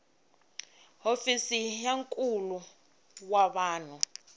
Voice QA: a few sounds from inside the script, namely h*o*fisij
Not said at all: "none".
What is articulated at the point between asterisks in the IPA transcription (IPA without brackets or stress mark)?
o